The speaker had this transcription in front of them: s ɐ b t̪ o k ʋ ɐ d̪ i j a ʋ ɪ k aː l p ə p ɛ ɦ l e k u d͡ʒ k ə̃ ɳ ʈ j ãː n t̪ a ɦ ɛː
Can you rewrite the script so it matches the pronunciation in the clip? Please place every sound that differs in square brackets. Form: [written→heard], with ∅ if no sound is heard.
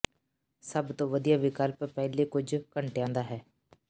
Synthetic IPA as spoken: s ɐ b t̪ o [k→∅] ʋ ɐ d̪ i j a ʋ ɪ k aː l p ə p ɛ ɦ l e k [u→ʊ] d͡ʒ k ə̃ ɳ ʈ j ãː n [t̪→d̪] a ɦ ɛː